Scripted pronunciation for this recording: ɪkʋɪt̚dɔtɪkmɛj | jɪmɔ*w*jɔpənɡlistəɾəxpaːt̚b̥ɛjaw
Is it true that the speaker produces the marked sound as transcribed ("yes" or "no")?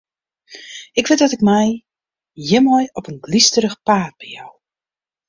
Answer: no